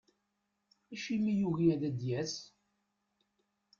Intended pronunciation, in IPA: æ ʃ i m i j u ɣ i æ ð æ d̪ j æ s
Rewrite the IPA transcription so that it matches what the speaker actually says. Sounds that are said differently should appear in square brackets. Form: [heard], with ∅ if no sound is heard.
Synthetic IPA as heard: æ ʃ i m i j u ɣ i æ ð æ d̪ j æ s